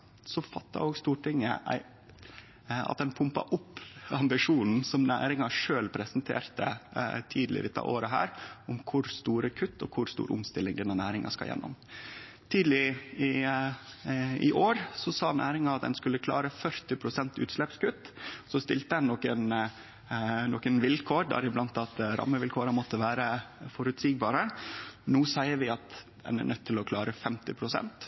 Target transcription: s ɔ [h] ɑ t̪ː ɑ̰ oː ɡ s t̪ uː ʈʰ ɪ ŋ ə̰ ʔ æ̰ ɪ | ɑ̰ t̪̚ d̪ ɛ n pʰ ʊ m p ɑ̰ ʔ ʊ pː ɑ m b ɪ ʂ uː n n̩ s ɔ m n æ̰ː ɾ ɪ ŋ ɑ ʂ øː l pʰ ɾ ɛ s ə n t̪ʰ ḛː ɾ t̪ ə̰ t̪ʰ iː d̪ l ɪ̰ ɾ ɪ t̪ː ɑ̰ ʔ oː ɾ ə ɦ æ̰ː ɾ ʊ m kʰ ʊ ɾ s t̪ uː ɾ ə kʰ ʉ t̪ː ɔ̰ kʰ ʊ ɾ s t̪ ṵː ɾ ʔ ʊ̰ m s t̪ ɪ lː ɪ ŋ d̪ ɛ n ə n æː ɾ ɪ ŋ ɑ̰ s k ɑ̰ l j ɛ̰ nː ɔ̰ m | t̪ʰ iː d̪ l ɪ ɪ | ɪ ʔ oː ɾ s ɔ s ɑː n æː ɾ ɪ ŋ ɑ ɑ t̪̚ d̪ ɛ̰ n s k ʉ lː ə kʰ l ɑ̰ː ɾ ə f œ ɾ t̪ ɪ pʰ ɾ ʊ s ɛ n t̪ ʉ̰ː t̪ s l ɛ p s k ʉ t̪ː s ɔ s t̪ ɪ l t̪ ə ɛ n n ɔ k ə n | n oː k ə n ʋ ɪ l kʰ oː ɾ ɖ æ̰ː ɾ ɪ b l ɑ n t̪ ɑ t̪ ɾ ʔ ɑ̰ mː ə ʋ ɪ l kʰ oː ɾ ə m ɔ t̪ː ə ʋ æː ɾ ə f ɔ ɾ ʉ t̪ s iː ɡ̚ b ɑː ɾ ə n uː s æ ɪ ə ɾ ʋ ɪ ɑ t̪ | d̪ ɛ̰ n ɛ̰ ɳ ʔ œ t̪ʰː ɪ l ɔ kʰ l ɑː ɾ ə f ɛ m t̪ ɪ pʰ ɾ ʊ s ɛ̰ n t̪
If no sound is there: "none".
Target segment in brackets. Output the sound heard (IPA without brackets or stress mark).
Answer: f